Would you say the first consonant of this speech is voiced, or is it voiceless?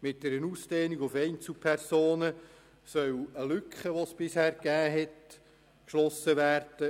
voiced